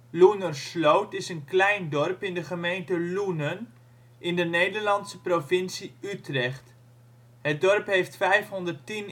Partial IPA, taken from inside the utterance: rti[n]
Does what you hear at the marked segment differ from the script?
no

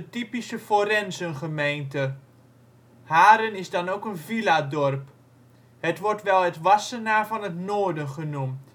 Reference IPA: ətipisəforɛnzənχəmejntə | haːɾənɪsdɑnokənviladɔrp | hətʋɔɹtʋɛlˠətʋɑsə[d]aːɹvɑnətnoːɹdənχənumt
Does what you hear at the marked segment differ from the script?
yes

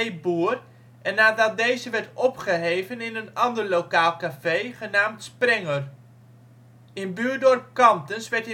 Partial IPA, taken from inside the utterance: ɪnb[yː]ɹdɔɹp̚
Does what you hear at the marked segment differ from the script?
no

